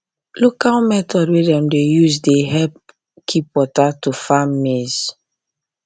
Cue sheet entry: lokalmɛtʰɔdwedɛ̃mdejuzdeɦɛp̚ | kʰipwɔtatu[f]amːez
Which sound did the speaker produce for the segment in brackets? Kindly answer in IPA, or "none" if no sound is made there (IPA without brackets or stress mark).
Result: f